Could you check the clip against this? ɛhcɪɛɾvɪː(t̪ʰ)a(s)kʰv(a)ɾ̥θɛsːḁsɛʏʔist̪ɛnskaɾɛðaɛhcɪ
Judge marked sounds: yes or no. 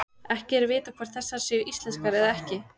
no, no, yes

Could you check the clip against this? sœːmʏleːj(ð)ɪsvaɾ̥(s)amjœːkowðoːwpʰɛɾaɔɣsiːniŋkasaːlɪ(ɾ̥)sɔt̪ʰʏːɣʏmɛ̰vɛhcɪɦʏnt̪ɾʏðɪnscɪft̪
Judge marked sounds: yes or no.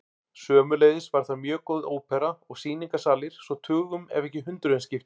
yes, no, yes

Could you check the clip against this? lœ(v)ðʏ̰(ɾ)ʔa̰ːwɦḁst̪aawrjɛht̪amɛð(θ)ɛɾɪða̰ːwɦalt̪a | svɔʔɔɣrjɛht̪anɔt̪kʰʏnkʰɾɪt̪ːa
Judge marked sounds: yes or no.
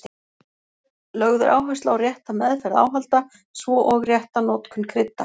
no, yes, no

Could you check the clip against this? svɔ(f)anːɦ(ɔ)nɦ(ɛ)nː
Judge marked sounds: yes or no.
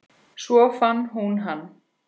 yes, no, no

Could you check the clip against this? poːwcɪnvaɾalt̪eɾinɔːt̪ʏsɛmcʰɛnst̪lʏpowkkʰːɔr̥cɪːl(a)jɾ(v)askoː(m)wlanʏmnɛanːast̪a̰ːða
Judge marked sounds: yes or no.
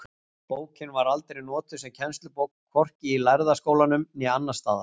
yes, no, no

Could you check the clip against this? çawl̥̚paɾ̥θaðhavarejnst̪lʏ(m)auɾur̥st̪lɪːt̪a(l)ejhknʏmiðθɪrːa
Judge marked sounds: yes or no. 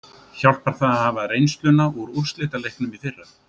no, yes

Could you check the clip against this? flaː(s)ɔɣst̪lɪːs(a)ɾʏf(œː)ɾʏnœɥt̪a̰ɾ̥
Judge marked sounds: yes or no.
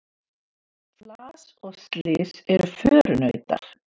yes, no, yes

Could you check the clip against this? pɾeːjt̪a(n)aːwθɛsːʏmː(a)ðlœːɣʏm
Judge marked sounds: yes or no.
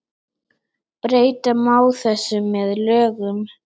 no, no

